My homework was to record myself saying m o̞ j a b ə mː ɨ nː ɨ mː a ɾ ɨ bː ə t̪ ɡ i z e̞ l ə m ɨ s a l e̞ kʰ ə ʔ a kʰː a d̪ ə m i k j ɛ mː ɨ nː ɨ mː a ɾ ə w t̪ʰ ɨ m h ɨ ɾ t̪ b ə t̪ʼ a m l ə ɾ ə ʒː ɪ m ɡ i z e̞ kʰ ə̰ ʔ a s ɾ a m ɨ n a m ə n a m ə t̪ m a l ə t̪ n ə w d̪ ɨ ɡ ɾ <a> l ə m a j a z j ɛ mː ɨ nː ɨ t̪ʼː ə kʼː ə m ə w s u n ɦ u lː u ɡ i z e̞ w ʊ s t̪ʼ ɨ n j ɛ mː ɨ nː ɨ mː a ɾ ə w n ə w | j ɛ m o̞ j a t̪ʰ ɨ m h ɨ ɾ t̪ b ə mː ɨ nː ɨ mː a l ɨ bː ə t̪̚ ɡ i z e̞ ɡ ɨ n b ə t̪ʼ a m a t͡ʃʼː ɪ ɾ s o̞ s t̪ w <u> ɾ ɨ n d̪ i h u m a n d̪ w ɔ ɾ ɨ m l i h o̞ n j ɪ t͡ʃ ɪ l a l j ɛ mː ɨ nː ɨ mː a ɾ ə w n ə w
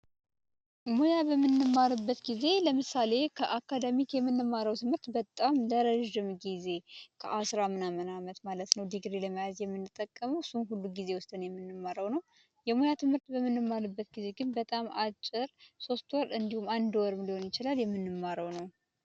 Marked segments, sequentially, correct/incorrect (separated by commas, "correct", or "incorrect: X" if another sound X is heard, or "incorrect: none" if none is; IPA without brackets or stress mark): incorrect: e, incorrect: ɔ